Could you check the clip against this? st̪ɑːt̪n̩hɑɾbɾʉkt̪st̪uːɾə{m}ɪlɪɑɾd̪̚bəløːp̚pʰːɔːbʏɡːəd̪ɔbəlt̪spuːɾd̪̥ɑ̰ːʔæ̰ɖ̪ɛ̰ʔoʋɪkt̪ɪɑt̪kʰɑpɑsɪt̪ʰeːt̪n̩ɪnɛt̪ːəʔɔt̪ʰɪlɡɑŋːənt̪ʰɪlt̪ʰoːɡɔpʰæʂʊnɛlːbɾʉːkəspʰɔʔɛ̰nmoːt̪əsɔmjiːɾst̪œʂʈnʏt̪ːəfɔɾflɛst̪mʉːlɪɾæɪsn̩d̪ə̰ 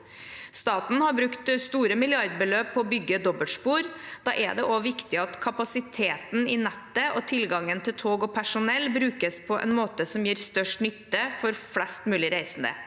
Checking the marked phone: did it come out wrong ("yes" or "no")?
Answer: no